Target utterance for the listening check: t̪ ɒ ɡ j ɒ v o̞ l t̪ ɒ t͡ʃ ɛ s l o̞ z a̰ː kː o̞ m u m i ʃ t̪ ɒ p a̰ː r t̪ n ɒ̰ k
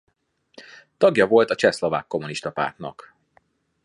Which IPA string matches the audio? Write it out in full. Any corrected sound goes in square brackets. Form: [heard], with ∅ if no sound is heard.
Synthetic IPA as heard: t̪ ɒ ɡ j ɒ v o̞ l t̪ ɒ t͡ʃ ɛ s l o̞ [v] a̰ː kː o̞ m u [n] i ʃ t̪ ɒ p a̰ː r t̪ n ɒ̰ k